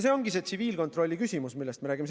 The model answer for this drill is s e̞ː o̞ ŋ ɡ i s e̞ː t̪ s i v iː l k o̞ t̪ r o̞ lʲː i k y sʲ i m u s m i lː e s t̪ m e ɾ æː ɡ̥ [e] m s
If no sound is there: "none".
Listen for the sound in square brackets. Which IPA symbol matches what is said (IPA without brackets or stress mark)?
i